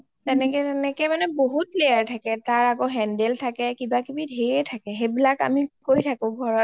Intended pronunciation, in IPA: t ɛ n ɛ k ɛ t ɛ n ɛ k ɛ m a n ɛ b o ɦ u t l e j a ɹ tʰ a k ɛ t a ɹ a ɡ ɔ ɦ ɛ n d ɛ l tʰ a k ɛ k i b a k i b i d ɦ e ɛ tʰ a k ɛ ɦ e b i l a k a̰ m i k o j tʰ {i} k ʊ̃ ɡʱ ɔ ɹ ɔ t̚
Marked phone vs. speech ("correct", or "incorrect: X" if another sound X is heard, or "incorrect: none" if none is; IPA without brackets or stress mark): incorrect: a